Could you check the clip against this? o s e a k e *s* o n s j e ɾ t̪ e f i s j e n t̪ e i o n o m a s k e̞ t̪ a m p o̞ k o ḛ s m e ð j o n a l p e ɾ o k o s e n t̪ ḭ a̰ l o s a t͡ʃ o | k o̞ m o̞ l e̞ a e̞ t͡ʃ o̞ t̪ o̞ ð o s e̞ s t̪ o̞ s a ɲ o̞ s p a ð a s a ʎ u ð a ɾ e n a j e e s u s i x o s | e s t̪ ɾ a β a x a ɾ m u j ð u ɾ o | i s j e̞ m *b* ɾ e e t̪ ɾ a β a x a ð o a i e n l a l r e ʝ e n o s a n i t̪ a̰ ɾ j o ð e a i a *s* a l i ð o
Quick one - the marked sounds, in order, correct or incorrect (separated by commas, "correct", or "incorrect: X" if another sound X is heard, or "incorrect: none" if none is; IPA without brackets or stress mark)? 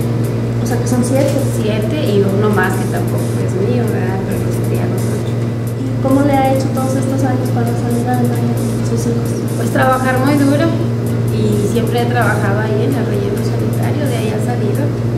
correct, incorrect: p, correct